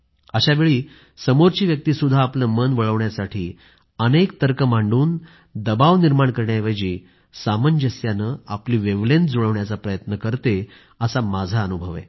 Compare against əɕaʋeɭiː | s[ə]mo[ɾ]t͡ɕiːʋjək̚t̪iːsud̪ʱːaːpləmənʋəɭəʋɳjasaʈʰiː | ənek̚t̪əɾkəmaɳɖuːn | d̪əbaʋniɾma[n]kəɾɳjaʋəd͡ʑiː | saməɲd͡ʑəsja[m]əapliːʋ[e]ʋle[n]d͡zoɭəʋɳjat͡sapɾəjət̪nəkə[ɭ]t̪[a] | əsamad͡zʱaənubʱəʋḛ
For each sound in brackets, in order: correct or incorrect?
correct, correct, incorrect, incorrect, correct, correct, incorrect, incorrect

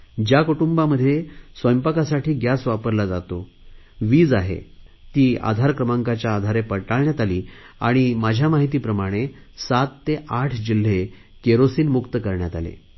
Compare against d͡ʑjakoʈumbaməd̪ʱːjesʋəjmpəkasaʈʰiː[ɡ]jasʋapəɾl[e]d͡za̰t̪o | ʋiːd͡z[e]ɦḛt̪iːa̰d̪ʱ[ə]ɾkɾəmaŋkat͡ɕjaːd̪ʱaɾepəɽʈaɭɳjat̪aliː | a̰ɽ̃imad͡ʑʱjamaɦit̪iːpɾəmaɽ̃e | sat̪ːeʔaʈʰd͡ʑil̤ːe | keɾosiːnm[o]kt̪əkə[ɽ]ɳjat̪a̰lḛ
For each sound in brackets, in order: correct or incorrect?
correct, incorrect, incorrect, incorrect, incorrect, incorrect

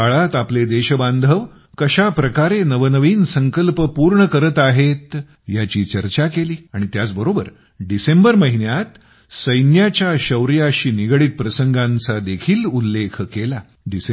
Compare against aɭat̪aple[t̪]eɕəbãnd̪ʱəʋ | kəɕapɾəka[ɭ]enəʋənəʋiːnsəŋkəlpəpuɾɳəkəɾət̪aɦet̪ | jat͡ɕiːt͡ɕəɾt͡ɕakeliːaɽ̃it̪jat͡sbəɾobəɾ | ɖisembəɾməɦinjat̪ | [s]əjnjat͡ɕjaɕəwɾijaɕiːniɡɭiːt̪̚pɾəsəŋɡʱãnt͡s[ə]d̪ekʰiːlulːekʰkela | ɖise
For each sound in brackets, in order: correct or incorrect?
incorrect, incorrect, correct, incorrect

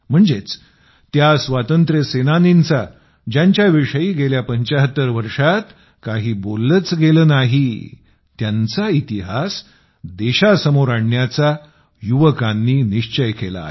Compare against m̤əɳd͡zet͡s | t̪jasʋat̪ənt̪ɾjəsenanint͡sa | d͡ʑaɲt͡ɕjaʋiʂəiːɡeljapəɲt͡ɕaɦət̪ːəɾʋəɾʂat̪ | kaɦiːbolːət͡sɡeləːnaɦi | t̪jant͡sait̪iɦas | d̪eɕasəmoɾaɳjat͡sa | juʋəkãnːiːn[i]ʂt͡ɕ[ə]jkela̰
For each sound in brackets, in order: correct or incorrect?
correct, correct

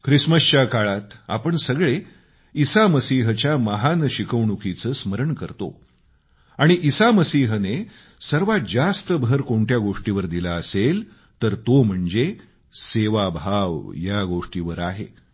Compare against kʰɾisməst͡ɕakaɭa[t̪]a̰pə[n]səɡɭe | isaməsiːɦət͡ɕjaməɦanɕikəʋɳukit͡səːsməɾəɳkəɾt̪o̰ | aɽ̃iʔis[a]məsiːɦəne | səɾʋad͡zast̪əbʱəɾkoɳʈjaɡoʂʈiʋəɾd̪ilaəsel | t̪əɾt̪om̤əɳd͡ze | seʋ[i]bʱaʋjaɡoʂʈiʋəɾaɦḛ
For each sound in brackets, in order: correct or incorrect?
correct, incorrect, correct, incorrect

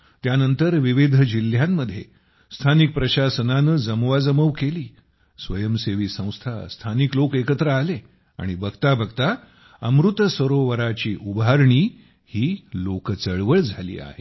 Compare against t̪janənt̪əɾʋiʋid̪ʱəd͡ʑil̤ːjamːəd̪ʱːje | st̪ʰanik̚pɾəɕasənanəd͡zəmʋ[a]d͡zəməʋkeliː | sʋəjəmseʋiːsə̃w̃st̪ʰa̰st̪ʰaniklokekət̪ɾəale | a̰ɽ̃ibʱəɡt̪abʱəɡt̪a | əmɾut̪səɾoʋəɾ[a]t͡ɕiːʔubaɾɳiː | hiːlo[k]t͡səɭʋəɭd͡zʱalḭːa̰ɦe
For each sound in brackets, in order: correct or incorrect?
correct, correct, correct

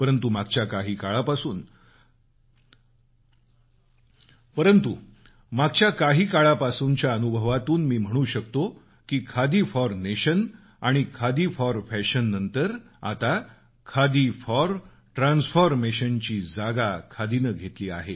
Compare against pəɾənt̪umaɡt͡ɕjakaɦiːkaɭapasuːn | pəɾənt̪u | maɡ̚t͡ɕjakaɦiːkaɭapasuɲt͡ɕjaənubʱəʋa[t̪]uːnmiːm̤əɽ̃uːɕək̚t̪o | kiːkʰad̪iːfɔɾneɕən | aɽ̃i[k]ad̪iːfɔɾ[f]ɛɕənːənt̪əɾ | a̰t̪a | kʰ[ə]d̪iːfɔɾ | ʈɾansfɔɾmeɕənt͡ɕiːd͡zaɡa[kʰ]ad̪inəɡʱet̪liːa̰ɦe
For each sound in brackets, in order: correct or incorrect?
correct, incorrect, correct, incorrect, correct

